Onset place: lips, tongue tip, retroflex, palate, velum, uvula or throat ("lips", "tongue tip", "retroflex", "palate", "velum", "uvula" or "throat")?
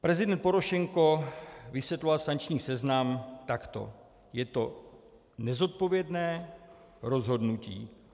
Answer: lips